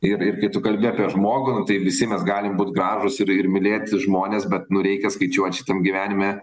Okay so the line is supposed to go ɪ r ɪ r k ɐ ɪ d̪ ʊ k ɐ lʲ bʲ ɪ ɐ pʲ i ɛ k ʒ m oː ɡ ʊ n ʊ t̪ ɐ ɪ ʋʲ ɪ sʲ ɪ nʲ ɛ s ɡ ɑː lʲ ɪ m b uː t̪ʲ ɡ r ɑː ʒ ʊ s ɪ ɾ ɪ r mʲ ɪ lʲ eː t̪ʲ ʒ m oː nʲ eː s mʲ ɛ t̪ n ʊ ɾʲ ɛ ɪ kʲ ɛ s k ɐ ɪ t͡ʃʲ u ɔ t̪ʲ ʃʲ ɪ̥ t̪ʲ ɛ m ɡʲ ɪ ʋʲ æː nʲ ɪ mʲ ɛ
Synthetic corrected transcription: ɪ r ɪ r k ɐ ɪ t̪ ʊ k ɐ lʲ bʲ ɪ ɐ pʲ i ɛ ʒ m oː ɡ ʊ n ʊ t̪ ɐ ɪ ʋʲ ɪ sʲ ɪ mʲ ɛ s ɡ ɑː lʲ ɪ m b uː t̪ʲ ɡ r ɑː ʒ ʊ s ɪ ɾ ɪ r mʲ ɪ lʲ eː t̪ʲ ʒ m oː nʲ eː s bʲ ɛ t̪ n ʊ ɾʲ ɛ ɪ kʲ ɛ s k ɐ ɪ t͡ʃʲ u ɔ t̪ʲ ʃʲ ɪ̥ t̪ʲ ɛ m ɡʲ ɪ ʋʲ æː nʲ ɪ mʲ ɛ